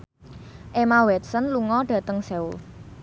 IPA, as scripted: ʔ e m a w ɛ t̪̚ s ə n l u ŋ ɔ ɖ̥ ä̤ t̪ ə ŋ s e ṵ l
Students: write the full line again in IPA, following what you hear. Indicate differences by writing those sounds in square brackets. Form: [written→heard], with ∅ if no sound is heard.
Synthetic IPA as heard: ʔ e m a w ɛ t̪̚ s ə n l u ŋ ɔ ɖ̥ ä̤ t̪ ə ŋ s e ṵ l